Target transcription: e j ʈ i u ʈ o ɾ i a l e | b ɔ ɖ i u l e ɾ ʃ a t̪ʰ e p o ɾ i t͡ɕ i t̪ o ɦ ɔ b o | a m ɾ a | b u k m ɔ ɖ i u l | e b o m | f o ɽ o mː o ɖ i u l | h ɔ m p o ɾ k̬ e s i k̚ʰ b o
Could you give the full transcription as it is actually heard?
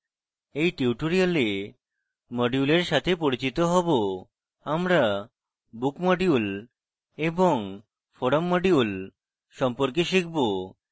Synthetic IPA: e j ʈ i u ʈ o ɾ i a l e | m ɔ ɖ i u l e ɾ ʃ a t̪ʰ e p o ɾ i t͡ɕ i t̪ o ɦ ɔ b o | a m ɾ a | b u k m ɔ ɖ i u l | e b o ŋ | f o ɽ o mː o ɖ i u l | ʃ ɔ m p o ɾ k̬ e ʃ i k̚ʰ b o